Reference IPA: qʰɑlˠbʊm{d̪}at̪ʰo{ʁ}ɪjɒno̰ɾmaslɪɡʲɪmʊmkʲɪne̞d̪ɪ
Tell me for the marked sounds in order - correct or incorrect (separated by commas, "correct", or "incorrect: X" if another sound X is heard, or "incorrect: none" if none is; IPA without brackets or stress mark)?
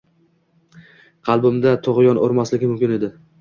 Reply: correct, correct